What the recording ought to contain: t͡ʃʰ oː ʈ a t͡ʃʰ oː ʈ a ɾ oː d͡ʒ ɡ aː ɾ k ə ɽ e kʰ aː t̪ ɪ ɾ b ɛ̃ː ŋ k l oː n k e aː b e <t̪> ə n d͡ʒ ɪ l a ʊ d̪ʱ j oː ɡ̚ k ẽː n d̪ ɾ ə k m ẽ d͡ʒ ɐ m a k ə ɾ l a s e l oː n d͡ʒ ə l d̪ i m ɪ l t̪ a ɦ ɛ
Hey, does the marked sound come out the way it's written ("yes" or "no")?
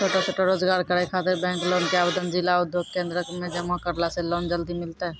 no